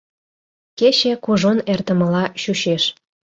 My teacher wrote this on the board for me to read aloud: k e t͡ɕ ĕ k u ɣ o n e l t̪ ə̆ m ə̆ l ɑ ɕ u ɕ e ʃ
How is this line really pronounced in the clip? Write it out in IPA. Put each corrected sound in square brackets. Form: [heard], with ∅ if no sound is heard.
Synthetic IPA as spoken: k e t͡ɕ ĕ k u [ʒ] o n e [r] t̪ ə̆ m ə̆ l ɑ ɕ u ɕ e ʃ